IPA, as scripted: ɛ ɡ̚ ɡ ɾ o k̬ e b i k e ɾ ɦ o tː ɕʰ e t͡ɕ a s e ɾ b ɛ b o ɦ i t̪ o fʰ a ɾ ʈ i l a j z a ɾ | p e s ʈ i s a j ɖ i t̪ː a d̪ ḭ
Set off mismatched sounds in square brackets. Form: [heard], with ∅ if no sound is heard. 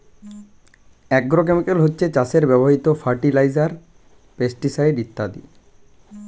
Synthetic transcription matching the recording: ɛ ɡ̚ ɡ ɾ o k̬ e [m] i k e [l] ɦ o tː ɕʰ e t͡ɕ a s e ɾ b ɛ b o ɦ i t̪ o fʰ a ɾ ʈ i l a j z a ɾ | p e s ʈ i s a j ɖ i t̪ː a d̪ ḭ